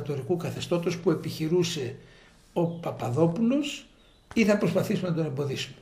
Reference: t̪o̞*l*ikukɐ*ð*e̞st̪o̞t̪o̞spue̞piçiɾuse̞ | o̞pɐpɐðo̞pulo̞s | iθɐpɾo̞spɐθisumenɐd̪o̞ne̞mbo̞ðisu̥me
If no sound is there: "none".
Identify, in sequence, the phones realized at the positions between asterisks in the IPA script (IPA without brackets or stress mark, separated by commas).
ɾ, θ